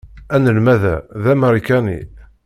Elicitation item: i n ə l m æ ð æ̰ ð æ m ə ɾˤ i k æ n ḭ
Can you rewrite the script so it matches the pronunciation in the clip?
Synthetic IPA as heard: æ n ə l m æ ð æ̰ ð æ m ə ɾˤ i k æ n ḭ